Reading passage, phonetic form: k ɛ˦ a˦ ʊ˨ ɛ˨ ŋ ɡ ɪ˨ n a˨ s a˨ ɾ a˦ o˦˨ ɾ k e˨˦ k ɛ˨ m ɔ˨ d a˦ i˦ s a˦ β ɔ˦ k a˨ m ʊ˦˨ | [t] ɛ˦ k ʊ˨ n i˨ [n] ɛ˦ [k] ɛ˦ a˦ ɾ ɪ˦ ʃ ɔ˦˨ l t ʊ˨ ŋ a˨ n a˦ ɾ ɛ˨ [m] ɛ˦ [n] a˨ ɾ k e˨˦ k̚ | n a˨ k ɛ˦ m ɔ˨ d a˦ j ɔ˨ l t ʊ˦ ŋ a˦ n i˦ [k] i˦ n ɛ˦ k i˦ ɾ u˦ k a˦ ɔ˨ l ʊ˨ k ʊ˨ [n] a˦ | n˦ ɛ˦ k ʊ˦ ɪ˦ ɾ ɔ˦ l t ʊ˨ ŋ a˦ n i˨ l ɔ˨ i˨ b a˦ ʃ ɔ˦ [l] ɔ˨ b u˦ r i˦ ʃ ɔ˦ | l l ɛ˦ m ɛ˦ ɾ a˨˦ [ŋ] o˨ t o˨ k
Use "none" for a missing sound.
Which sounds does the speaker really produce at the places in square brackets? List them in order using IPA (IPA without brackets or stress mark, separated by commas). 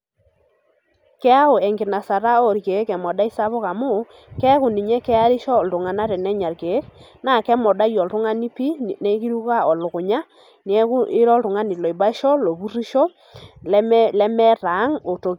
k, ɲ, k, n, ɲ, p, ɲ, l, ŋ